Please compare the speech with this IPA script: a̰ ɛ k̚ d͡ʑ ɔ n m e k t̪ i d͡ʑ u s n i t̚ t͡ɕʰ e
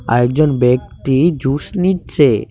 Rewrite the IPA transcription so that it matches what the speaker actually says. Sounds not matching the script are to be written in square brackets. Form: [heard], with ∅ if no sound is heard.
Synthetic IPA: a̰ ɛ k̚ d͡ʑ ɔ n [b] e k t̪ i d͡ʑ u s n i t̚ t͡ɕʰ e